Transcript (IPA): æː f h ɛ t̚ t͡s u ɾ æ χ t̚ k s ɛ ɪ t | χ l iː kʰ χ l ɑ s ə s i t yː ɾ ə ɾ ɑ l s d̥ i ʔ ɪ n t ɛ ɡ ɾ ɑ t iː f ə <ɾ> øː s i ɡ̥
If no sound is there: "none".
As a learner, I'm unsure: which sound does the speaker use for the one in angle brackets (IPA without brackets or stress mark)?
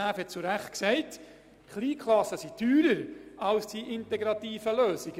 l